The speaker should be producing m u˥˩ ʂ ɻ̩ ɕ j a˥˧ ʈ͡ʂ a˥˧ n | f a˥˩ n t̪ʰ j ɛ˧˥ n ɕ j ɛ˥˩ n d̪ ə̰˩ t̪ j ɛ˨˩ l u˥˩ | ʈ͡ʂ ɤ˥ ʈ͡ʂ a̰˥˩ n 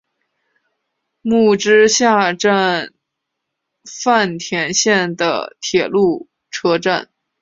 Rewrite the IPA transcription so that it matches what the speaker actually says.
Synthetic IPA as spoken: m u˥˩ ʈ͡ʂ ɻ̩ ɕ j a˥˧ ʈ͡ʂ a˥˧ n | f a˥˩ n t̪ʰ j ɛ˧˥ n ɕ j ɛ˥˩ n d̪ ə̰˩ t̪ʰ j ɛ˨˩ l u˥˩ | ʈ͡ʂʰ ɤ˥ ʈ͡ʂ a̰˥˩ n

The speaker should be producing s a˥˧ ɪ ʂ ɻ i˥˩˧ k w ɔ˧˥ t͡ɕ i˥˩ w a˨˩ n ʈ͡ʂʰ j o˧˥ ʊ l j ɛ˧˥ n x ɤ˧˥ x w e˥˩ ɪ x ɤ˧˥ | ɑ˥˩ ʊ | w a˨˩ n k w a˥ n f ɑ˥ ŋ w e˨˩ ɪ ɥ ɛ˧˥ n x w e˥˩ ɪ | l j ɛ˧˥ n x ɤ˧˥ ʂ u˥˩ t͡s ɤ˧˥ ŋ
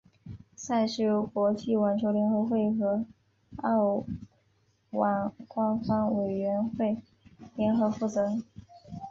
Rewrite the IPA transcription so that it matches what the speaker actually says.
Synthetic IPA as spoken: s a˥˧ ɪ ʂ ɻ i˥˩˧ k w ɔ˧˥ t͡ɕ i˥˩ w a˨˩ n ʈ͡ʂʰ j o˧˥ ʊ l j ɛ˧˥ n x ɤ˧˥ x w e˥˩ ɪ x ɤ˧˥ | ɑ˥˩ ʊ | w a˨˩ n k w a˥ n f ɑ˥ ŋ w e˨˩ ɪ ɥ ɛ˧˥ n x w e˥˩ ɪ | l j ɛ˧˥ n x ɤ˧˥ f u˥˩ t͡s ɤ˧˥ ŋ

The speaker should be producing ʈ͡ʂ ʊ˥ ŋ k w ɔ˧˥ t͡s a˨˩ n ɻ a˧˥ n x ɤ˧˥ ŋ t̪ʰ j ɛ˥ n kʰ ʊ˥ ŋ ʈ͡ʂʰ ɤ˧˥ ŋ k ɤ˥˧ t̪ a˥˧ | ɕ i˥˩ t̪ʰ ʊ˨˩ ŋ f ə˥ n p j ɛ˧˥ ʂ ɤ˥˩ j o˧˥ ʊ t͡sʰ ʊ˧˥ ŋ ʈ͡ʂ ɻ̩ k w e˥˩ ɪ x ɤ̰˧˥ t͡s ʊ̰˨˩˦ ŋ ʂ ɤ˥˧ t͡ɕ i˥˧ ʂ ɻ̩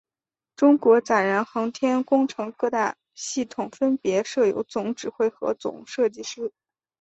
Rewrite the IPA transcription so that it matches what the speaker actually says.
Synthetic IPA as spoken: ʈ͡ʂ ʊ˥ ŋ k w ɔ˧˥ t͡s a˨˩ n ɻ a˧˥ n x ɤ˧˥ ŋ t̪ʰ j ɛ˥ n k ʊ˥ ŋ ʈ͡ʂʰ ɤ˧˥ ŋ k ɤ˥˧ t̪ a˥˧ | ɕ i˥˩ t̪ʰ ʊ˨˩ ŋ f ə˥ n p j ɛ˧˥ ʂ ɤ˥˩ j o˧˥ ʊ t͡s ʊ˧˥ ŋ ʈ͡ʂ ɻ̩ x w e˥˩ ɪ x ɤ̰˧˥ t͡s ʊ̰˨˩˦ ŋ ʂ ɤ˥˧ t͡ɕ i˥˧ ʂ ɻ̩

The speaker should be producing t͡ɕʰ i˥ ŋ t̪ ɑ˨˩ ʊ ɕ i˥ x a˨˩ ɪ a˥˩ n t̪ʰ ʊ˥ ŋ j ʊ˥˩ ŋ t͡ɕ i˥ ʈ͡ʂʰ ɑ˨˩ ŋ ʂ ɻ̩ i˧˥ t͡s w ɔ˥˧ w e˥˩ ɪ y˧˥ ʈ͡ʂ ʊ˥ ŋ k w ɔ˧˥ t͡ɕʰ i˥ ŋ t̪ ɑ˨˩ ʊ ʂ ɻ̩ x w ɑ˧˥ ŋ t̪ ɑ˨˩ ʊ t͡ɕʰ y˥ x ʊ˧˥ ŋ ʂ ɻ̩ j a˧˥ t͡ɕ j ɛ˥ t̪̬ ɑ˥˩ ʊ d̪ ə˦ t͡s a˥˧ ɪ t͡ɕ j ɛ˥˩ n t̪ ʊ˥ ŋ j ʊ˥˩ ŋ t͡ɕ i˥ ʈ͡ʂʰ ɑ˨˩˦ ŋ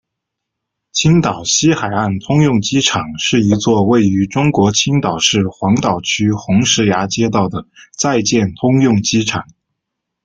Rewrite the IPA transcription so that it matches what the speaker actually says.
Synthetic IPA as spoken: t͡ɕʰ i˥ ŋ t̪ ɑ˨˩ ʊ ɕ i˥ x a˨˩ ɪ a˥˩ n t̪ʰ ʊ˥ ŋ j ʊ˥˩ ŋ t͡ɕ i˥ ʈ͡ʂʰ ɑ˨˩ ŋ ʂ ɻ̩ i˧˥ t͡s w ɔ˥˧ w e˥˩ ɪ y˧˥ ʈ͡ʂ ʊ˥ ŋ k w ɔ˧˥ t͡ɕʰ i˥ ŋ t̪ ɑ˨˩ ʊ ʂ ɻ̩ x w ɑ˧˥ ŋ t̪ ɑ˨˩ ʊ t͡ɕʰ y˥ x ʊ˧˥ ŋ ʂ ɻ̩ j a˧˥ t͡ɕ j ɛ˥ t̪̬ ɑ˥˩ ʊ d̪ ə˩ t͡s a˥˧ ɪ t͡ɕ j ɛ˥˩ n t̪ʰ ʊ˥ ŋ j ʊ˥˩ ŋ t͡ɕ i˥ ʈ͡ʂʰ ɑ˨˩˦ ŋ

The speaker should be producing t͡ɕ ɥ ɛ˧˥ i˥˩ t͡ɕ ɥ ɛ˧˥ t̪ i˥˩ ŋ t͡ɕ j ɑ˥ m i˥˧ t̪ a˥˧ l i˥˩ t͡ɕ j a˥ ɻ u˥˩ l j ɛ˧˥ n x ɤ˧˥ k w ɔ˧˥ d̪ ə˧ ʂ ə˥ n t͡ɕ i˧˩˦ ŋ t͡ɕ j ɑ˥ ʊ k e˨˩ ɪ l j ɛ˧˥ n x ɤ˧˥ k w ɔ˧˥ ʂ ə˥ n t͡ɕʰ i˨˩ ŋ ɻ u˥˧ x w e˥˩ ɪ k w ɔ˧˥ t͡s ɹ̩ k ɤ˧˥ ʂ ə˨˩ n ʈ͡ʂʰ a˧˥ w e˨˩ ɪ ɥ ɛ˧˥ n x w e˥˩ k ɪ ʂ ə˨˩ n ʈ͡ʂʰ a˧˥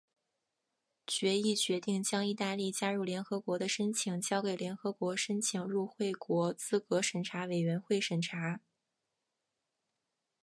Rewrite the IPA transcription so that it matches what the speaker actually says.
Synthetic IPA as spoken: t͡ɕ ɥ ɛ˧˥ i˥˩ t͡ɕ ɥ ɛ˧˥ t̪ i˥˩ ŋ t͡ɕ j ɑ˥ ŋ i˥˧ t̪ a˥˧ l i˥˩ t͡ɕ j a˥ ɻ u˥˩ l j ɛ˧˥ n x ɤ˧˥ k w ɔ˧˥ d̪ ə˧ ʂ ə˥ n t͡ɕʰ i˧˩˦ ŋ t͡ɕ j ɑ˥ ʊ k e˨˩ ɪ l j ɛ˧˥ n x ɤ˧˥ k w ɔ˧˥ ʂ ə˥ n t͡ɕʰ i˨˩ ŋ ɻ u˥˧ x w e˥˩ ɪ k w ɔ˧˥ t͡s ɹ̩ k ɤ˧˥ ʂ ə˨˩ n ʈ͡ʂʰ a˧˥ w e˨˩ ɪ ɥ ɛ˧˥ n x w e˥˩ ɪ ʂ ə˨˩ n ʈ͡ʂʰ a˧˥

